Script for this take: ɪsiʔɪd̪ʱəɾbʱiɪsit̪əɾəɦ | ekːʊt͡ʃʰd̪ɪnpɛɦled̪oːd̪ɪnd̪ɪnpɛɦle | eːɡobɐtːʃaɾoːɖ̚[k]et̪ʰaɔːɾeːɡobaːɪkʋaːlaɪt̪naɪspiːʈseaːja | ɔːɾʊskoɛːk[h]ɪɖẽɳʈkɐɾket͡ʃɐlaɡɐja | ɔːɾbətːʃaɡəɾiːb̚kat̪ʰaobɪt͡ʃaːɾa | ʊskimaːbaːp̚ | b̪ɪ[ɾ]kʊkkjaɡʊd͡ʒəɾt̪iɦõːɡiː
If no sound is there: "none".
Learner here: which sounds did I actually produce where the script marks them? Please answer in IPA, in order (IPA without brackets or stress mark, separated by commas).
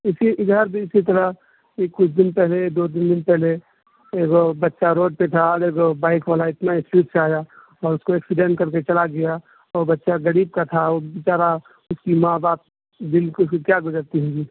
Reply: p, s, l